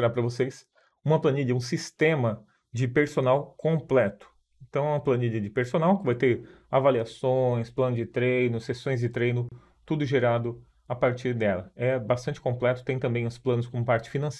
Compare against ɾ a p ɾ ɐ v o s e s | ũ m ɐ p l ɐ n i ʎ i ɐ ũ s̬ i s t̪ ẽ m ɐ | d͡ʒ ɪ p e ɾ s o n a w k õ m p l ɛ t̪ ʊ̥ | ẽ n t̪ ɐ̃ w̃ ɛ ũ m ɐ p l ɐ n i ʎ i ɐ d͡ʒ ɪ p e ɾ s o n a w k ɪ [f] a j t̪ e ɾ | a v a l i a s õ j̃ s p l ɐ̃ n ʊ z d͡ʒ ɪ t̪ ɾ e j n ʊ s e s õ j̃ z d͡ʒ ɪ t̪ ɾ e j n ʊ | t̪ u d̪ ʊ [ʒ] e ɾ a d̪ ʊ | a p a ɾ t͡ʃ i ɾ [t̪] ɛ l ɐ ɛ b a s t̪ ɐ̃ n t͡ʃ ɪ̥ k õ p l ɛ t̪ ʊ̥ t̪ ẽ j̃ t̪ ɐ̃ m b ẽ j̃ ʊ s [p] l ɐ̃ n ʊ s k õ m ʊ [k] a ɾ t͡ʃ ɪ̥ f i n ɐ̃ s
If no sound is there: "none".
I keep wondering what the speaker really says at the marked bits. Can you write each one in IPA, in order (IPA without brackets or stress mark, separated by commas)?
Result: v, ʒ, d̪, p, p